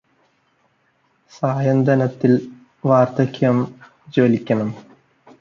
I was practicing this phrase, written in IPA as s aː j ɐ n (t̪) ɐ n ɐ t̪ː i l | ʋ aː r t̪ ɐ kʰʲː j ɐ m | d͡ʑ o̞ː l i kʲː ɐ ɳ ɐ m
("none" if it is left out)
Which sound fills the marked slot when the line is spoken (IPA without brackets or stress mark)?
d̪